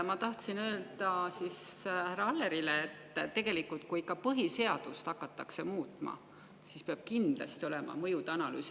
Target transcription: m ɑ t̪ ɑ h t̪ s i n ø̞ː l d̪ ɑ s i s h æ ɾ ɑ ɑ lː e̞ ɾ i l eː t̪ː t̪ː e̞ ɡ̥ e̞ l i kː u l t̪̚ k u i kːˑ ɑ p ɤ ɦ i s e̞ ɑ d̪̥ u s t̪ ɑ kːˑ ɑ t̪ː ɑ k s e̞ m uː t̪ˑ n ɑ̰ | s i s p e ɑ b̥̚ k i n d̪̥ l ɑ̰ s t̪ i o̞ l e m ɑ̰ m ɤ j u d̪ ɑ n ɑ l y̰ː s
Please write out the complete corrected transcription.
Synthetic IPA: m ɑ t̪ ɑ h t̪ s i n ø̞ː l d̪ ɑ s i s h æ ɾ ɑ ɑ lː e̞ ɾ i l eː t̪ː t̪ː e̞ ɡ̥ e̞ l i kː u l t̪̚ k u i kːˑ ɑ p ɤ ɦ i s e̞ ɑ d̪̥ u s t̪ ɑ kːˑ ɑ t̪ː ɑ k s e̞ m uː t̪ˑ m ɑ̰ | s i s p e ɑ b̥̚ k i n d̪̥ l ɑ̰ s t̪ i o̞ l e m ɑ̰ m ɤ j u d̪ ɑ n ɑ l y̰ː s